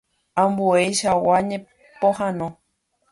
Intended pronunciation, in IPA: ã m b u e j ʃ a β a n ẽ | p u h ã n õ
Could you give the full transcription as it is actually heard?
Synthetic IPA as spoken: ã m b u e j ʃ a w a ɲ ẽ | p o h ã n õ

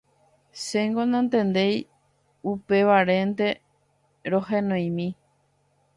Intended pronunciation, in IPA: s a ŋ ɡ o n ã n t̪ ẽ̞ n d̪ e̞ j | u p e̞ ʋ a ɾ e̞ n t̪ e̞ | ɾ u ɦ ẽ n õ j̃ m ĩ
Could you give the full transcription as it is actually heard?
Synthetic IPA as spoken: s e ŋ ɡ o n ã n t̪ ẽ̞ n d̪ e̞ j | u p e̞ ʋ a ɾ e̞ n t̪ e̞ | ɾ o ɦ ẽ n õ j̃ m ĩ

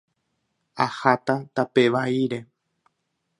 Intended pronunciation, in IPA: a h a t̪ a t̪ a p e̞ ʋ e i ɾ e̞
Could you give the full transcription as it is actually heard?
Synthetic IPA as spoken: a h a t̪ a t̪ a p e̞ ʋ a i ɾ e̞

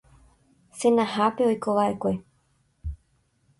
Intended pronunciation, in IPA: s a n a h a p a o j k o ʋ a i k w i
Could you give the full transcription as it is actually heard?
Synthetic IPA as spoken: s e n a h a p e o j k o ʋ a e k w e

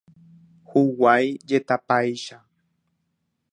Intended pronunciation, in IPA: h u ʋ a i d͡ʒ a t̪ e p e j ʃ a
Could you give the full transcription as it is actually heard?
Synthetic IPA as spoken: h u w a j d͡ʒ e t̪ a p a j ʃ a

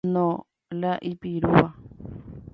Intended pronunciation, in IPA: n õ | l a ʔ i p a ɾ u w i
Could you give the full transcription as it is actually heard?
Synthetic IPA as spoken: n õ | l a ʔ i p i ɾ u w a

